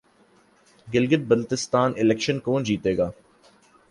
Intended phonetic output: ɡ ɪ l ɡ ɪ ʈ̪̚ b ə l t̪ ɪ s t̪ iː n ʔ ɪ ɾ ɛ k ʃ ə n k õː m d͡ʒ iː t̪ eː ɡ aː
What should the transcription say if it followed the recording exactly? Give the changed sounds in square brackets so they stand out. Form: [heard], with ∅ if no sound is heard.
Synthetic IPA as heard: ɡ ɪ l ɡ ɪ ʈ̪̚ b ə l t̪ ɪ s t̪ [aː] n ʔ ɪ [l] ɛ k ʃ ə n k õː [n] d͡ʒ iː t̪ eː ɡ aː